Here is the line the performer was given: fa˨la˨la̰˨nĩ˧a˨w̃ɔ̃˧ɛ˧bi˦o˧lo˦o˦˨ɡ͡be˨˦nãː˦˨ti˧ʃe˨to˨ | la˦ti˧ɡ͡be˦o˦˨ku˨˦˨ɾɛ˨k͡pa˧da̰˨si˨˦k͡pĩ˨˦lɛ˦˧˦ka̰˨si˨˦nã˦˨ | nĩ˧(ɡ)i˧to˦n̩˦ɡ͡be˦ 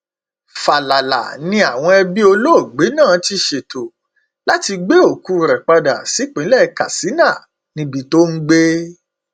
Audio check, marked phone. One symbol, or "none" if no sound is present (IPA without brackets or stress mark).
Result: b